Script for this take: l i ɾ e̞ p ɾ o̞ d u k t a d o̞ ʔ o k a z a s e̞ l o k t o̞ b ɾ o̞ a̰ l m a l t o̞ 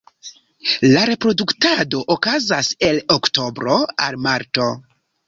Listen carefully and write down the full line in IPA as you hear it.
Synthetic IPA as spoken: l a ɾ e̞ p ɾ o̞ d u k t a d o̞ ʔ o k a z a s e̞ l o k t o̞ b ɾ o̞ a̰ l m a ɾ t o̞